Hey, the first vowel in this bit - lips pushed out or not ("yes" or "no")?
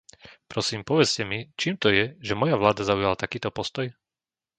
yes